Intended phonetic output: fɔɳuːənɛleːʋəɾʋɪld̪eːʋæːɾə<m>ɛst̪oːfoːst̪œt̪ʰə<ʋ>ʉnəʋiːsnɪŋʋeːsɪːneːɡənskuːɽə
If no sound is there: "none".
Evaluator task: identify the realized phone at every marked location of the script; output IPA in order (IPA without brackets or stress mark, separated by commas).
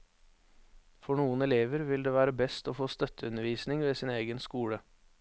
b, none